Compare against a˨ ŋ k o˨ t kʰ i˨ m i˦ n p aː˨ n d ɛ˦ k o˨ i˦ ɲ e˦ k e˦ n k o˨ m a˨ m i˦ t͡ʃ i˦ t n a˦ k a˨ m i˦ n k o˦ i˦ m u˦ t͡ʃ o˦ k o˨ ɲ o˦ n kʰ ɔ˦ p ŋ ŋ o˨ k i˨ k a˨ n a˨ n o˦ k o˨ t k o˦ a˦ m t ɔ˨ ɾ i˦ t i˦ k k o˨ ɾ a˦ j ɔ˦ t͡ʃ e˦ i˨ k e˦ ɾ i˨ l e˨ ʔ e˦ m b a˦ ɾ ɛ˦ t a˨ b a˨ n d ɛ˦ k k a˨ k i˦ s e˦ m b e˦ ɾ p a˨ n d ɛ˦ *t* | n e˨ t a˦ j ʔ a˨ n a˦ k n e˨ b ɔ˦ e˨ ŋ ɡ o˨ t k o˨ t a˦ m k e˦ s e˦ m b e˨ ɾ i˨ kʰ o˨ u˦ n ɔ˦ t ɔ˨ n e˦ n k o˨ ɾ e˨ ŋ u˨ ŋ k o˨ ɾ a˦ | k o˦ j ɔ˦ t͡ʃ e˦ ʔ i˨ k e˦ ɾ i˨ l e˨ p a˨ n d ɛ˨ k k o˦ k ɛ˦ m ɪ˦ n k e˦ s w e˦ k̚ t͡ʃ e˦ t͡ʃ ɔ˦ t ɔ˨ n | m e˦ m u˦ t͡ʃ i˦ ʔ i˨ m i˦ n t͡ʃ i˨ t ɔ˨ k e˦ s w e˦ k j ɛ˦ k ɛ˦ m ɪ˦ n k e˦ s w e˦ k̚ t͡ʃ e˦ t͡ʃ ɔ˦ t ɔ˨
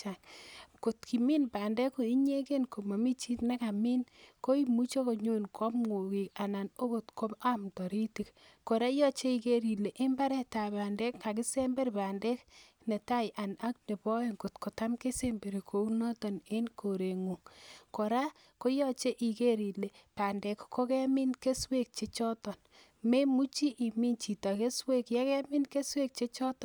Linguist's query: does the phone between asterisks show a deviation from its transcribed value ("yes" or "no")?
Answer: yes